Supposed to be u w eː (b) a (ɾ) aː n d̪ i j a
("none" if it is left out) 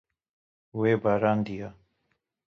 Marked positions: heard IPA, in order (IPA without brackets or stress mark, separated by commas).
b, ɾ